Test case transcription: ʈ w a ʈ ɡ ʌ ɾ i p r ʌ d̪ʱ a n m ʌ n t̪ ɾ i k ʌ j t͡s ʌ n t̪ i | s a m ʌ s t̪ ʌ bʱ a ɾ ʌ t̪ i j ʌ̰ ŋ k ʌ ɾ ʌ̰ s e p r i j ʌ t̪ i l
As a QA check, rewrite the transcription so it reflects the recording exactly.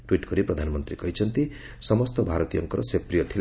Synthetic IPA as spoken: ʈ w i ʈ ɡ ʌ ɾ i p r ʌ d̪ʱ a n m ʌ n t̪ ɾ i k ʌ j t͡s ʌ n t̪ i | s ʌ m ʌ s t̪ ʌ bʱ a ɾ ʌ t̪ i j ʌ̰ ŋ k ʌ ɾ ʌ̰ s e p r i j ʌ t̪ʰ i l